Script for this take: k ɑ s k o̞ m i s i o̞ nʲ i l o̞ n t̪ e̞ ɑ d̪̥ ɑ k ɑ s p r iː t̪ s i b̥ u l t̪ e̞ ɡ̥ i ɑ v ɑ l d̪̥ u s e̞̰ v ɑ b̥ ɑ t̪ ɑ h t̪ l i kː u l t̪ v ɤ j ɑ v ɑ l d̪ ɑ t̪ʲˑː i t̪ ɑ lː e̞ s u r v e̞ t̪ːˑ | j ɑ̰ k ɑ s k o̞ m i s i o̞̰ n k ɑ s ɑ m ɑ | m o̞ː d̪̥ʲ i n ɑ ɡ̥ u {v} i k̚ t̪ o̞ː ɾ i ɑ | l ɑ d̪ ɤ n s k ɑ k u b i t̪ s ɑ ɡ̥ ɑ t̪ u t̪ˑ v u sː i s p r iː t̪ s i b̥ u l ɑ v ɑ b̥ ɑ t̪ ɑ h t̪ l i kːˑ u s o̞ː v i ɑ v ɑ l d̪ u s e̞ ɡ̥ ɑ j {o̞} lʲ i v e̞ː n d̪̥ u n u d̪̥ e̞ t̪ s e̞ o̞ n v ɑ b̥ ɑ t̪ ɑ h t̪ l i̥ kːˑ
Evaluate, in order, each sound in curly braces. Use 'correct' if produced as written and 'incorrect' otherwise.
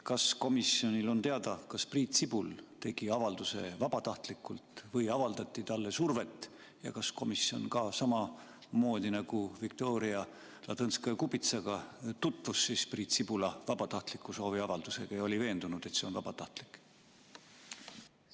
correct, correct

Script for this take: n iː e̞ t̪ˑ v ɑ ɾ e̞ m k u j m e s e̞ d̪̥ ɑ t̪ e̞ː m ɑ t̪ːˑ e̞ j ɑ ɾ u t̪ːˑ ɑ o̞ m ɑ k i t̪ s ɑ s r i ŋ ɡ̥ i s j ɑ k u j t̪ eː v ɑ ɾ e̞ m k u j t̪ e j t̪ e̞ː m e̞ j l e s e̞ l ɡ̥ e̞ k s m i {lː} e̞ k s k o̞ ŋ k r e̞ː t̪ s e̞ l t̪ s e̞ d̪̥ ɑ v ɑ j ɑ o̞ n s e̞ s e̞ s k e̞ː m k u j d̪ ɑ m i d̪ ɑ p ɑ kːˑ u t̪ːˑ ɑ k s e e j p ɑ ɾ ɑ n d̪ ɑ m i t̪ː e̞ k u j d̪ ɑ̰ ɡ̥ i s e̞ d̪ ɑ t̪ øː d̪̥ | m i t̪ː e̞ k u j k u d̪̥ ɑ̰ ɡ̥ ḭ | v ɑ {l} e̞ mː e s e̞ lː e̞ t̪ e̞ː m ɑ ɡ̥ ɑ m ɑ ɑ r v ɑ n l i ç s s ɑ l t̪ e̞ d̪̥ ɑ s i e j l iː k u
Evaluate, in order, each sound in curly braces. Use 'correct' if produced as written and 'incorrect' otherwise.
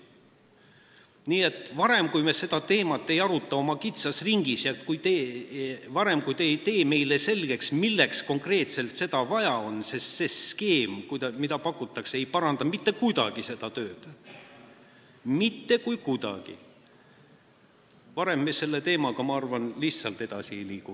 correct, incorrect: ɾ

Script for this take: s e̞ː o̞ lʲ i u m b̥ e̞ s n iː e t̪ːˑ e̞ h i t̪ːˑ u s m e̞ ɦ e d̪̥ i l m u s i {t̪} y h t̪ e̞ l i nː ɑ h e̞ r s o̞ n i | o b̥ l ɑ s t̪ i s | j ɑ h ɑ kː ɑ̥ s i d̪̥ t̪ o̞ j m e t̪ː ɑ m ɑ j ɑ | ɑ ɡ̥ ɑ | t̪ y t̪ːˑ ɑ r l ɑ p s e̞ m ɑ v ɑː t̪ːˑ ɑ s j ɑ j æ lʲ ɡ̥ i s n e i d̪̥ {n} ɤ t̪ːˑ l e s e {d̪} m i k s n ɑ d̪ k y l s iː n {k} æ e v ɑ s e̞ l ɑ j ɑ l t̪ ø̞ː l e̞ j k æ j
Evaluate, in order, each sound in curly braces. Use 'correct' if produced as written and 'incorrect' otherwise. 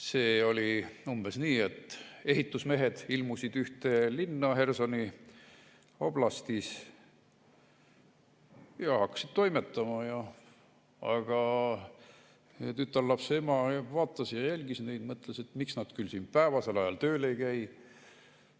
incorrect: d̪, incorrect: m, incorrect: t̪, incorrect: p

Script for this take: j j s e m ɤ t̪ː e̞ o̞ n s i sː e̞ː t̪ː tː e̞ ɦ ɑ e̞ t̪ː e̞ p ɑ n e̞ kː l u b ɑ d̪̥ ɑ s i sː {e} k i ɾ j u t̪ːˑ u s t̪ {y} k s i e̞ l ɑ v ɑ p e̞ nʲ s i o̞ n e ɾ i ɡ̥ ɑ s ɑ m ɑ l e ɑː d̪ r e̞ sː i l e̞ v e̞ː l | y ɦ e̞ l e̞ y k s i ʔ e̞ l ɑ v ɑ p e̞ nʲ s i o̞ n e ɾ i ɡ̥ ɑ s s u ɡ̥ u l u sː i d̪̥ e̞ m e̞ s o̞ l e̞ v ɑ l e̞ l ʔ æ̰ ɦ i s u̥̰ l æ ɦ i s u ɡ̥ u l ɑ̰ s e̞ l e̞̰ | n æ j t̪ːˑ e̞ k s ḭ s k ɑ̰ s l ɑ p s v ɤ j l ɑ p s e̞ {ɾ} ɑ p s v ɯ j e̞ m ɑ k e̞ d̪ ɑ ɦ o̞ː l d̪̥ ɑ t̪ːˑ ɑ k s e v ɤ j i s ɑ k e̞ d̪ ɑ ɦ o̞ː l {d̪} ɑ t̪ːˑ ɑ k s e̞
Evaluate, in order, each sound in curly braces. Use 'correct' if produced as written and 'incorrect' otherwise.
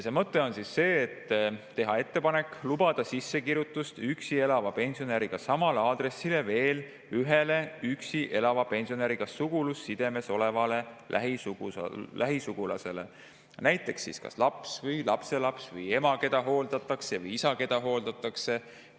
correct, correct, incorrect: l, correct

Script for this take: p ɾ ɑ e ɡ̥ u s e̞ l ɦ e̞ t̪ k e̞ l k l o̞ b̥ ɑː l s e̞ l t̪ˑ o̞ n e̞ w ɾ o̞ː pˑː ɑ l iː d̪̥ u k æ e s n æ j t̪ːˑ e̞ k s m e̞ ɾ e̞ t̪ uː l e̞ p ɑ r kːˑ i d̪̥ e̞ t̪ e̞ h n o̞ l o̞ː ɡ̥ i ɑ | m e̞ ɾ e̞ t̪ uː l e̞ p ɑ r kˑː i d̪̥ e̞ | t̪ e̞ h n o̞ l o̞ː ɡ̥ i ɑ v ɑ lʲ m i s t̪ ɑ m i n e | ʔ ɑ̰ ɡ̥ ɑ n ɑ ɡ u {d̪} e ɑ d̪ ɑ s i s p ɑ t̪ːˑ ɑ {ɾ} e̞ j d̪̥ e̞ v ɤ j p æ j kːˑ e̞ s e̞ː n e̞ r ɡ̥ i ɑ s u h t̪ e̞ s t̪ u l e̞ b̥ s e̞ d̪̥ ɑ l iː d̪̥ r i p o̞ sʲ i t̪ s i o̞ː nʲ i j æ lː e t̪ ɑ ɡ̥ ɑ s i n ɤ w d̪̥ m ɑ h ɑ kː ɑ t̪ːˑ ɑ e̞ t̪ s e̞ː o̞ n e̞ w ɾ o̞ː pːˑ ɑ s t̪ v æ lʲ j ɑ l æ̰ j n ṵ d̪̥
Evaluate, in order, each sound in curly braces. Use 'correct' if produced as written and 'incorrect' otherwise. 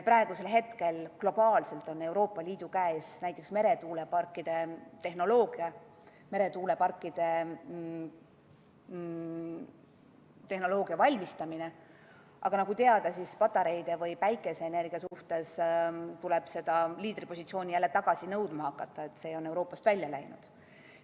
incorrect: t̪, correct

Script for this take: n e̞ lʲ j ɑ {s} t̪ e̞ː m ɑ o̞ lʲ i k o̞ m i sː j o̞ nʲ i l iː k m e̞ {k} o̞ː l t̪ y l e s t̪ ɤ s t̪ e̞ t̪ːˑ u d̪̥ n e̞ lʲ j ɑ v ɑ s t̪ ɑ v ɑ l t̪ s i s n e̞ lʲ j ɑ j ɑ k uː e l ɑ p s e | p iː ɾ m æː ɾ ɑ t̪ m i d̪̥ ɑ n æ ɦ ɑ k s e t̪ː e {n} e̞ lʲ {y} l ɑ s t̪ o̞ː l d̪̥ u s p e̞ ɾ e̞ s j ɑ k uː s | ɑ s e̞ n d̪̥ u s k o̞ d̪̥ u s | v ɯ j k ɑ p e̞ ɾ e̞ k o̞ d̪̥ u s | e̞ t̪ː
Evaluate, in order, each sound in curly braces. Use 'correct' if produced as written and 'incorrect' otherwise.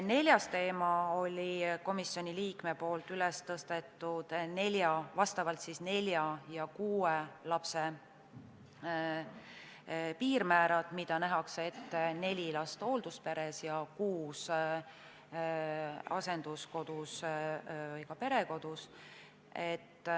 correct, incorrect: p, correct, incorrect: i

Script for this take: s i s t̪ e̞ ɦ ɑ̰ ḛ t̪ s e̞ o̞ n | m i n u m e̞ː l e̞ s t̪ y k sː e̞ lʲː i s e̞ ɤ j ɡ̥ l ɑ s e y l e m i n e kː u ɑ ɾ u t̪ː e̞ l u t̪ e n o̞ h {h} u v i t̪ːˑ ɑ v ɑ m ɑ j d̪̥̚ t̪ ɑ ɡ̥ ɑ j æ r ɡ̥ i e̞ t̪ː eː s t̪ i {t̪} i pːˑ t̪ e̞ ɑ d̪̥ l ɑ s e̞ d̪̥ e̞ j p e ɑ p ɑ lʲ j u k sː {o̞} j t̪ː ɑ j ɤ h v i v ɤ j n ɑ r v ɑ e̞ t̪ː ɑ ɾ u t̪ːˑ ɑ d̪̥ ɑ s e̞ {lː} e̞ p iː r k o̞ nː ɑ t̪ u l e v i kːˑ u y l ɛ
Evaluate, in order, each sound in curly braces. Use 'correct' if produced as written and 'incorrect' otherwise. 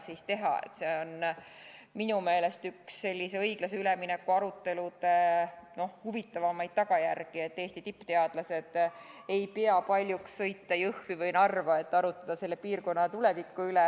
correct, correct, incorrect: ɤ̞, correct

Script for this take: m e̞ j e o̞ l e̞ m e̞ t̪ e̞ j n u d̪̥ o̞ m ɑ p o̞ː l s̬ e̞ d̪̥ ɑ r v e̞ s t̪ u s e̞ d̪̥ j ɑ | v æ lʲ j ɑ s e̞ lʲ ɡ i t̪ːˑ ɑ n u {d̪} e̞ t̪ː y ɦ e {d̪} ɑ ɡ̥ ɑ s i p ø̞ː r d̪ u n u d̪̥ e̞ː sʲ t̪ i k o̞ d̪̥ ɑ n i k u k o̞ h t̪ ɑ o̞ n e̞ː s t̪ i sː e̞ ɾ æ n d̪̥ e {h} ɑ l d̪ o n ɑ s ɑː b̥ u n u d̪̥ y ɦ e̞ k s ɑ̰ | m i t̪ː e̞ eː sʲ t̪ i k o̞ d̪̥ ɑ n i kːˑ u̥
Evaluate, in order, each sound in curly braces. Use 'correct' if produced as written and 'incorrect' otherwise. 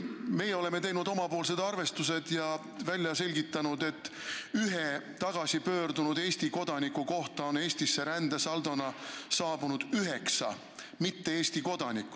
correct, incorrect: t̪, incorrect: s

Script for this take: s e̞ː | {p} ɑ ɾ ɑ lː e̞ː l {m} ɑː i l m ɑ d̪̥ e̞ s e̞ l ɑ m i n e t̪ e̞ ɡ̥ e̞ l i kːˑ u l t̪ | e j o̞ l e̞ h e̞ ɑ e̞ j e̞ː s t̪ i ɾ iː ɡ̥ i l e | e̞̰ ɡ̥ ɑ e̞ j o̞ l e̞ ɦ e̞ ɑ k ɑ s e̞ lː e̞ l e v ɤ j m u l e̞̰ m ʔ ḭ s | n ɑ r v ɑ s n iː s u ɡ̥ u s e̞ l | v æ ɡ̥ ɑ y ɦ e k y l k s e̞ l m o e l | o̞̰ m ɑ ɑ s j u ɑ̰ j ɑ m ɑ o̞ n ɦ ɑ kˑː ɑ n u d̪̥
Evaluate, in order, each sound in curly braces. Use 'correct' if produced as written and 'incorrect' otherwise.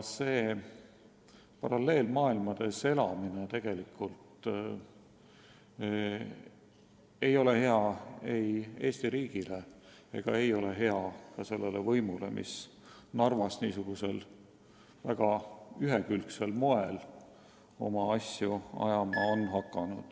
correct, correct

